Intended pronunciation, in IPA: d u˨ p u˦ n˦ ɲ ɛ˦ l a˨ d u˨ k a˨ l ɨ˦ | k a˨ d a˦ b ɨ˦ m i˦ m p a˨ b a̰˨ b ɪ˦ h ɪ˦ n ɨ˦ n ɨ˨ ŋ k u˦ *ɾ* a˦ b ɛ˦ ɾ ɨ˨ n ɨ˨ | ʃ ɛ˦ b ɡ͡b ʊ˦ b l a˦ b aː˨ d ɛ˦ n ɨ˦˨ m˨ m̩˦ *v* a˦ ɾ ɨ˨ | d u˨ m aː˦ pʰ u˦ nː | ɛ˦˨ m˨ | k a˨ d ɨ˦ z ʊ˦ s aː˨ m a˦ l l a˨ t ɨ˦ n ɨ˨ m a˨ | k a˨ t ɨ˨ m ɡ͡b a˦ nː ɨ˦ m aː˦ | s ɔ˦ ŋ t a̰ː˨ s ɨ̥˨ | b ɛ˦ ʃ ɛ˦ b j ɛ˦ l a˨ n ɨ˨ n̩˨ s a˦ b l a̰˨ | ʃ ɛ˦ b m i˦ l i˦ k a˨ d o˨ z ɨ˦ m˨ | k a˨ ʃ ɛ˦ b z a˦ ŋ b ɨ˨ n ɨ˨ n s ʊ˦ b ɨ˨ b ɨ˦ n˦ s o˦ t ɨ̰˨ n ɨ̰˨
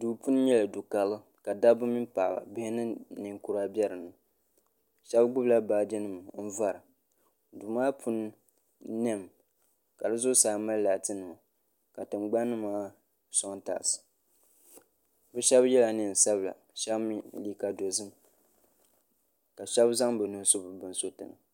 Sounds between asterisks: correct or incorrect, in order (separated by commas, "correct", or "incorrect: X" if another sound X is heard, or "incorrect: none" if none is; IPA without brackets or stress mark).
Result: correct, correct